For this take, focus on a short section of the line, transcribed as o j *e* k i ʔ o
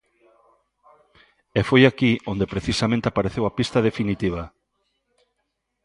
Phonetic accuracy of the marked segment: incorrect: a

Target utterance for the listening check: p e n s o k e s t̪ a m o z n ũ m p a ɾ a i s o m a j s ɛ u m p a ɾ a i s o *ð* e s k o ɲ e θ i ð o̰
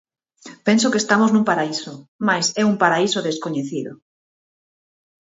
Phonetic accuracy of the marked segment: correct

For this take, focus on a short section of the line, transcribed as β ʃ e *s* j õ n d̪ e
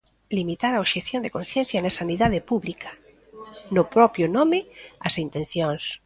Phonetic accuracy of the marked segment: incorrect: θ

